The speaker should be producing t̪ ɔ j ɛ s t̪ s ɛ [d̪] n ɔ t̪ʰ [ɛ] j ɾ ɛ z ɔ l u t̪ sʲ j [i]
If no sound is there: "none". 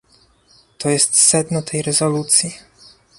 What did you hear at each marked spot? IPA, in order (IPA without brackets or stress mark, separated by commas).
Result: d̪, ɛ, i